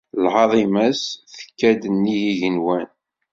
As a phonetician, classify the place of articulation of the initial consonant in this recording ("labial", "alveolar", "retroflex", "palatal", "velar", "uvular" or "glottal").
alveolar